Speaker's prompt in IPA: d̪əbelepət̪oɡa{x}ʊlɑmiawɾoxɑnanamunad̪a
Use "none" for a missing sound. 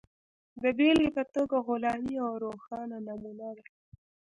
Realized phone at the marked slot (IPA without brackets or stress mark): ɣ